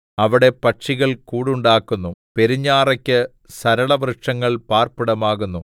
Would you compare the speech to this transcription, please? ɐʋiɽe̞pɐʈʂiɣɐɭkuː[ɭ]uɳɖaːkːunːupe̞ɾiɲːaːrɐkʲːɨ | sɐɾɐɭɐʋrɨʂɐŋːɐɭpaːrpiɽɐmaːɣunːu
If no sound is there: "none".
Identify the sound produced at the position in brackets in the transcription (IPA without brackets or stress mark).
ɽ